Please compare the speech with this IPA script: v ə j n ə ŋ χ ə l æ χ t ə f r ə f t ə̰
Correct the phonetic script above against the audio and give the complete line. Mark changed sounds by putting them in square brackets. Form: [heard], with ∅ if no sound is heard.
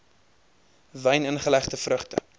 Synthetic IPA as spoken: v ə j n ə [n] χ ə l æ χ t ə f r ə [χ] t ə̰